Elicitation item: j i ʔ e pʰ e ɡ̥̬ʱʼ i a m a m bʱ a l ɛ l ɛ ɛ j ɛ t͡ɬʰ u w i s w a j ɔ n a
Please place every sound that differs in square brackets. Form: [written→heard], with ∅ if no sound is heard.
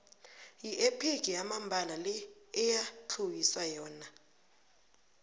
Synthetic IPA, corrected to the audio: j i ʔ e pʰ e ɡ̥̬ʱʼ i a m a m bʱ a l [ɛ→a] l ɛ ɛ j [ɛ→a] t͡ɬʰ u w i s w a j [ɔ→ɔː] n a